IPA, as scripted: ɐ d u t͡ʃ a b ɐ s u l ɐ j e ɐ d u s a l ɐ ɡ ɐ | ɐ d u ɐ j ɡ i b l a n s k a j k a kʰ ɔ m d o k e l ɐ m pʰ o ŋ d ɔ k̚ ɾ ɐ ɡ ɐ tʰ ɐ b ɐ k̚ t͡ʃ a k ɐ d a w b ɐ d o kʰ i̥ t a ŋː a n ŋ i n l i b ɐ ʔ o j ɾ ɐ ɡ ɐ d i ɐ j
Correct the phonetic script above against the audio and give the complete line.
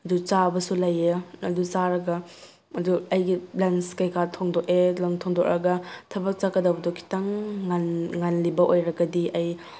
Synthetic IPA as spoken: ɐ d u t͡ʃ a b ɐ s u l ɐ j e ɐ d u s a ɾ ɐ ɡ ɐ | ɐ d u ɐ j ɡ i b l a n s k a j k a tʰ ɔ ŋ d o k e l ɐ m tʰ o ŋ d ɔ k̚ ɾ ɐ ɡ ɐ tʰ ɐ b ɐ k̚ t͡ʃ a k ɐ d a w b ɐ d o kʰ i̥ t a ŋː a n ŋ a n l i b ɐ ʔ o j ɾ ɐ ɡ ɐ d i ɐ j